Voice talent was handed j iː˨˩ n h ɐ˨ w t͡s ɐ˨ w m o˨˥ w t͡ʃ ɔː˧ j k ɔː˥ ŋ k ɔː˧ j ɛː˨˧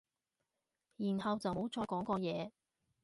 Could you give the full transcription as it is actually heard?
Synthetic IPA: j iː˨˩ n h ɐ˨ w t͡s ɐ˨ w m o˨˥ w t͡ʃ ɔː˧ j k ɔː˨˥ ŋ k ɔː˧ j ɛː˨˧